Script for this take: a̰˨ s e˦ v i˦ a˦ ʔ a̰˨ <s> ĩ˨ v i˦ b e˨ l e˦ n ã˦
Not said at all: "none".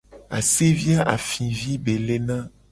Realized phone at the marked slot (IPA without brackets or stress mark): f